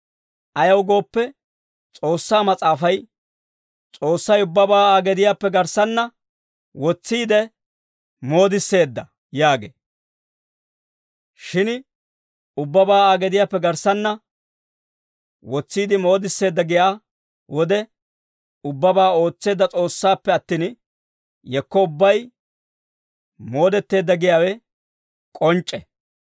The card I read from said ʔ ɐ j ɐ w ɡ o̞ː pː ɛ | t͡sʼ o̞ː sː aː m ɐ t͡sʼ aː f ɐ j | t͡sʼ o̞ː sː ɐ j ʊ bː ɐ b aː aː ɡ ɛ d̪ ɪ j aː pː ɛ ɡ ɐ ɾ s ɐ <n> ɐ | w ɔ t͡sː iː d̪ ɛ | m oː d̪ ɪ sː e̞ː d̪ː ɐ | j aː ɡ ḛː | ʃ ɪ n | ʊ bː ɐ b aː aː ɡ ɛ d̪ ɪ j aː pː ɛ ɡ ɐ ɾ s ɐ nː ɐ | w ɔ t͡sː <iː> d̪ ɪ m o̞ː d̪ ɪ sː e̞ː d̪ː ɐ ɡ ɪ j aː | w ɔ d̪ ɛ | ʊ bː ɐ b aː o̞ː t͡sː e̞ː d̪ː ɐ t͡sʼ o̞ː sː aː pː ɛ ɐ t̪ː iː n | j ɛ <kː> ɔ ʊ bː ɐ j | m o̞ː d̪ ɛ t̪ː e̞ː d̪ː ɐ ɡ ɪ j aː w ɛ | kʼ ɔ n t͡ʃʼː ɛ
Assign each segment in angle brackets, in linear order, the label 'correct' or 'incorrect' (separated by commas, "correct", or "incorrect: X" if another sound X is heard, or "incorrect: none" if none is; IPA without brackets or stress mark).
incorrect: nː, correct, correct